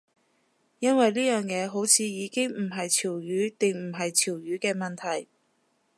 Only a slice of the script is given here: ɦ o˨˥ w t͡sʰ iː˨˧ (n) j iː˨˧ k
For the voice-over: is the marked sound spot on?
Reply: no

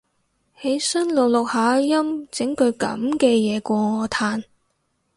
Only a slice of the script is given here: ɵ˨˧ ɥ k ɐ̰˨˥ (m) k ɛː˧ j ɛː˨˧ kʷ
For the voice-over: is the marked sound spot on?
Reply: yes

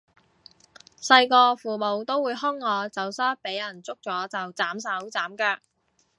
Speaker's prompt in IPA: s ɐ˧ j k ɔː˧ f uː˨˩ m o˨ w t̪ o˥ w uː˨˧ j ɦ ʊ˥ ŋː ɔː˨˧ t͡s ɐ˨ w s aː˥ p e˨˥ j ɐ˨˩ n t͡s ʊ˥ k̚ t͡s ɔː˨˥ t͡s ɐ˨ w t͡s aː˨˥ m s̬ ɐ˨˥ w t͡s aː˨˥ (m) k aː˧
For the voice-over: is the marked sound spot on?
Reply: yes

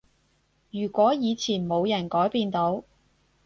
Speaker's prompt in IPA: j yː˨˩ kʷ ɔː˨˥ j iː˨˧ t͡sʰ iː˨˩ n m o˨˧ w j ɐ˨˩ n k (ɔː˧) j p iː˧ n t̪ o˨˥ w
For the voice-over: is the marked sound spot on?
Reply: no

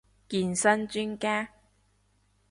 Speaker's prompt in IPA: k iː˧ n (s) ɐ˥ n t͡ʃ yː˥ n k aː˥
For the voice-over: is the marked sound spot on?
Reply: yes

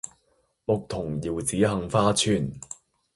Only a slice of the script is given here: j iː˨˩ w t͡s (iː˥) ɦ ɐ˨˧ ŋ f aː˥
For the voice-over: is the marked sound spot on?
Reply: no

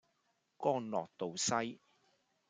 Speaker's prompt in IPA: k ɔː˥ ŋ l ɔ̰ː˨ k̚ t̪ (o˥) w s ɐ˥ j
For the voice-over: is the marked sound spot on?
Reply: no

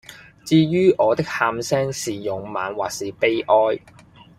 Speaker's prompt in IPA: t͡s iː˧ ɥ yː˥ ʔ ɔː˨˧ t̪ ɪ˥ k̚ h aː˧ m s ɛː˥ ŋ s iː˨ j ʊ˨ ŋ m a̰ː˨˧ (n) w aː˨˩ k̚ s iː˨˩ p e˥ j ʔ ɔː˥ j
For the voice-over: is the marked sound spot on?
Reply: yes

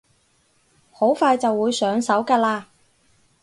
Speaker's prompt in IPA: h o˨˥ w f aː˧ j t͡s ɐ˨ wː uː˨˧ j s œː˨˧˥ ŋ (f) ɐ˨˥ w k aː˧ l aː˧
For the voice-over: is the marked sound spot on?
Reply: no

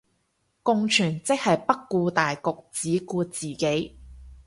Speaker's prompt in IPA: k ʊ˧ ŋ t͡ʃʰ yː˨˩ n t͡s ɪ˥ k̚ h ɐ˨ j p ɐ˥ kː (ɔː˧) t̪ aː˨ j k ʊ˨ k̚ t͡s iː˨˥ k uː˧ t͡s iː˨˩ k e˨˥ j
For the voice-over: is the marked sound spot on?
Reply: no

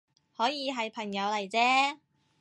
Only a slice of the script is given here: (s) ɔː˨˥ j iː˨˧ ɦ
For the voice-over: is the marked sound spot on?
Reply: no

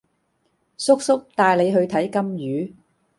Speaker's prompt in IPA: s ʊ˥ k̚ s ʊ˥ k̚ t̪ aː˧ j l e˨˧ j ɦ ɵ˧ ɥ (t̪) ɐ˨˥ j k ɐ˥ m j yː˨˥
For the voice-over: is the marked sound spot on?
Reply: no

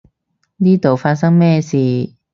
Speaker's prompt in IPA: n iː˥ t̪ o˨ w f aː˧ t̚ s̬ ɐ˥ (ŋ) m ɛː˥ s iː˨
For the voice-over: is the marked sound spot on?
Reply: yes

